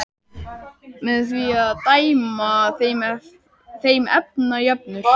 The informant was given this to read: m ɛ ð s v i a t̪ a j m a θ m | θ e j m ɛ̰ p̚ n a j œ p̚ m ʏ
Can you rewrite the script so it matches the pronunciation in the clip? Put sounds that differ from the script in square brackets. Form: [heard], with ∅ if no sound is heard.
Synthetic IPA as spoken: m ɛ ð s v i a t̪ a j m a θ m | θ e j m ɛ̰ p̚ n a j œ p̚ [n] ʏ